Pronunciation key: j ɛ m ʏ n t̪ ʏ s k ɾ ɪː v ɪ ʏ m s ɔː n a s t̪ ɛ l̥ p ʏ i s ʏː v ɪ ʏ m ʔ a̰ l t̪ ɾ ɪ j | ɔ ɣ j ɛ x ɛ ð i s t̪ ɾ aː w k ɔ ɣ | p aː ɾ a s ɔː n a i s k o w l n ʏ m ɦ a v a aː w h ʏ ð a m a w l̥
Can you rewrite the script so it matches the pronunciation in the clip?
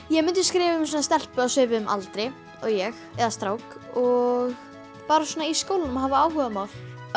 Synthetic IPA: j ɛ m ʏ n t̪ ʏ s k ɾ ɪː v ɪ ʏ m s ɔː n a s t̪ ɛ l̥ p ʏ a s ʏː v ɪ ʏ m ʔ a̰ l t̪ ɾ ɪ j | ɔ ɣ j ɛ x ɛ ð a s t̪ ɾ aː w k ɔ ɣ | p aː ɾ a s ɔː n a i s k o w l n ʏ m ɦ a v a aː w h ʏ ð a m a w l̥